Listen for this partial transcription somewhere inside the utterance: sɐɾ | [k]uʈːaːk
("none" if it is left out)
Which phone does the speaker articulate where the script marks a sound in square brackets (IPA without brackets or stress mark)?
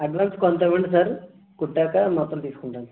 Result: k